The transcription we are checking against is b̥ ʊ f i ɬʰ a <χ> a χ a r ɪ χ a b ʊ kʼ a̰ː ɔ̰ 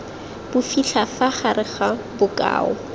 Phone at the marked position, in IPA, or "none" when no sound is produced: f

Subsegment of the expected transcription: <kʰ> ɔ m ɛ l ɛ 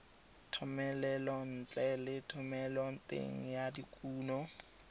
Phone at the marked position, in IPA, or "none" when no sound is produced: tʰ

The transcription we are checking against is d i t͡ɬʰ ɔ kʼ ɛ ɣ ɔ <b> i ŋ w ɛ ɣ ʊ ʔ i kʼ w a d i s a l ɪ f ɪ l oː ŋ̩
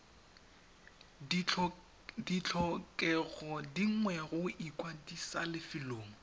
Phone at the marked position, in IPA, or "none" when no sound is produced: d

